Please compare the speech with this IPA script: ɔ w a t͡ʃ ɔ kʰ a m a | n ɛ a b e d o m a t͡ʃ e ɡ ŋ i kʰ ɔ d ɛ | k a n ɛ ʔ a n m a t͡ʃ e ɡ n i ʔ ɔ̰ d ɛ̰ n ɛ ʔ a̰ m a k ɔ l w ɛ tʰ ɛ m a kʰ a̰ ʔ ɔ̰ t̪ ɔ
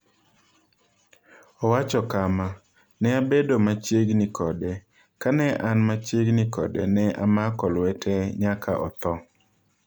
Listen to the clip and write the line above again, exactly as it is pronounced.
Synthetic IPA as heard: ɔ w a t͡ʃ ɔ k a m a | n ɛ a b e d o m a t͡ʃ e ɡ n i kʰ ɔ d ɛ | k a n ɛ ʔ a n m a t͡ʃ e ɡ n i k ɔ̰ d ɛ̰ n ɛ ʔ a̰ m a k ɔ l w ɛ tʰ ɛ ɲ a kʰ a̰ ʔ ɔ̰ t̪ ɔ